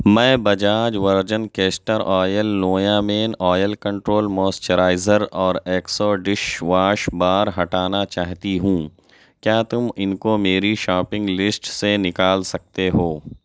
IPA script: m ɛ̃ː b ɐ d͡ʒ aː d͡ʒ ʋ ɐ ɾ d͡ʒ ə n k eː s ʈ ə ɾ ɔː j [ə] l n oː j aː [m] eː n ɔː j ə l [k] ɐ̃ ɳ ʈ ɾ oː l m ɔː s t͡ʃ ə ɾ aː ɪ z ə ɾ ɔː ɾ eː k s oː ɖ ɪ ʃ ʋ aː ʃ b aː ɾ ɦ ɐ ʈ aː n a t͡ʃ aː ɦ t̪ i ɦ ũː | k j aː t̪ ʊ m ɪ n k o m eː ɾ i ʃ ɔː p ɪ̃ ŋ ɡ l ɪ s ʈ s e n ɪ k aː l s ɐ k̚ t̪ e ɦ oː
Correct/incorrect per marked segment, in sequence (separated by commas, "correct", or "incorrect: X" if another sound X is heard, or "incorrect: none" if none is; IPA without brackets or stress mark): correct, correct, correct